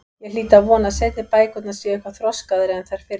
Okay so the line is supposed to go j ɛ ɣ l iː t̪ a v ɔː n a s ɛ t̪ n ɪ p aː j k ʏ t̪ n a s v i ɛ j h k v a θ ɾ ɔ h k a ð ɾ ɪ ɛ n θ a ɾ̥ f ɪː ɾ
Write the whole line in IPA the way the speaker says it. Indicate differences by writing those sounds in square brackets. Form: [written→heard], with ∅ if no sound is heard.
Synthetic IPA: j ɛ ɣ l iː t̪ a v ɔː n a s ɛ t̪ n ɪ p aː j k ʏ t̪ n a s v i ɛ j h k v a θ ɾ ɔ [h→s] k a ð ɾ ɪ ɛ n θ a ɾ̥ f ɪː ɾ